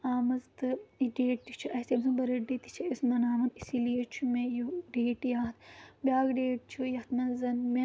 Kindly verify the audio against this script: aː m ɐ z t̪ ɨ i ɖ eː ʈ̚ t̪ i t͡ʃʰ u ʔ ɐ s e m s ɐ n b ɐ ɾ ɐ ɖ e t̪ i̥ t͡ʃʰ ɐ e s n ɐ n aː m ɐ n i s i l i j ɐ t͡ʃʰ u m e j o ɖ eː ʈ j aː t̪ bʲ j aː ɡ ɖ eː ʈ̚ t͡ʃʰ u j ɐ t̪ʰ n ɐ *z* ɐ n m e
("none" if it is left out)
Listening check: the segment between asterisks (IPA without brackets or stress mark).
z